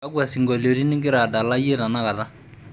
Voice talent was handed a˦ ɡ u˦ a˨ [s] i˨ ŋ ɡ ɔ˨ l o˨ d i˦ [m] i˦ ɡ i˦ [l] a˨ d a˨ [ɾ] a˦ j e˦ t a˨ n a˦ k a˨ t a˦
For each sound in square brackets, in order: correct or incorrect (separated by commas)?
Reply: correct, incorrect, incorrect, incorrect